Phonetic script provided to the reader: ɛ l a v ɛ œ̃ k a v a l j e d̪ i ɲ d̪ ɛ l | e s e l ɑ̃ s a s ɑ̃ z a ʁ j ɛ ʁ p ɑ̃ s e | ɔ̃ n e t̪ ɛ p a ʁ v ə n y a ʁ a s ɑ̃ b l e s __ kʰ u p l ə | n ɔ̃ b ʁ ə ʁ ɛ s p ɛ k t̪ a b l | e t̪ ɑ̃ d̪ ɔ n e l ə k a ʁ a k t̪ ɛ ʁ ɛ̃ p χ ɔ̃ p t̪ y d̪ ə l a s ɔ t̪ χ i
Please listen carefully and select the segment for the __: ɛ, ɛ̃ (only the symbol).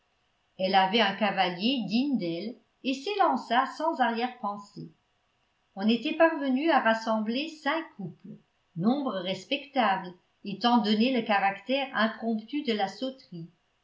ɛ̃